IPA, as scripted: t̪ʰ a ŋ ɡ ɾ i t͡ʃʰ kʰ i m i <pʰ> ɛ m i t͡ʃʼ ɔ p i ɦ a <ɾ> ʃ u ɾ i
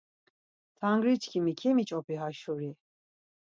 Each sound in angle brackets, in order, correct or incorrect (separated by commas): incorrect, incorrect